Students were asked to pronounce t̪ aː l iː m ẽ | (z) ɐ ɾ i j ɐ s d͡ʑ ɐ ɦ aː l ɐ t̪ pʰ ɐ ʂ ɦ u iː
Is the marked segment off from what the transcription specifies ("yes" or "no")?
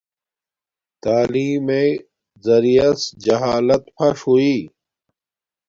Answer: no